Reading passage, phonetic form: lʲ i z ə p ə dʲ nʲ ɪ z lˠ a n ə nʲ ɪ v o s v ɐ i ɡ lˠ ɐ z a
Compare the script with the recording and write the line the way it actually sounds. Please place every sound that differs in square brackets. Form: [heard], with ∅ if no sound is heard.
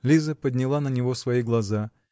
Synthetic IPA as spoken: lʲ i z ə p ə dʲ nʲ ɪ [∅] lˠ a n ə nʲ ɪ v o s v ɐ i ɡ lˠ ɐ z a